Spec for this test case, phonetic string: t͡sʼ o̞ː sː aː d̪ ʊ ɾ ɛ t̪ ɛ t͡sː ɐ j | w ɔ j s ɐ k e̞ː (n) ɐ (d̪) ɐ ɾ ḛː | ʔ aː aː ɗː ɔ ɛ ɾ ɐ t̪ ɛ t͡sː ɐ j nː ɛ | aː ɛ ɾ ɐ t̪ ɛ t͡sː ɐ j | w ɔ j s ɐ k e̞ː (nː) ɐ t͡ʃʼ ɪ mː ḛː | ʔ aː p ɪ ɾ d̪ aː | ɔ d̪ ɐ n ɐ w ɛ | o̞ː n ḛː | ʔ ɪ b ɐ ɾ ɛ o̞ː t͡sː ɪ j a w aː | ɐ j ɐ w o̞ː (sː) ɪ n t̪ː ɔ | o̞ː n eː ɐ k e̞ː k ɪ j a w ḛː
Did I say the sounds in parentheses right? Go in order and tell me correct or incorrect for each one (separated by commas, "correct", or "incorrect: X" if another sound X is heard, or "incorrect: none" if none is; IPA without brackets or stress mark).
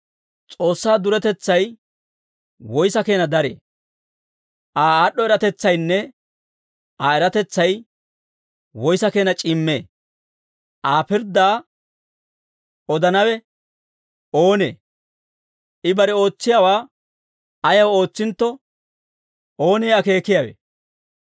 correct, correct, incorrect: n, incorrect: t͡sː